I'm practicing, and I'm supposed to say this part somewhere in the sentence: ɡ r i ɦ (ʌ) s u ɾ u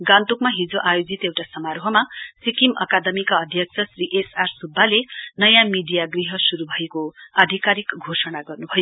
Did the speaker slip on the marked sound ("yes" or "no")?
no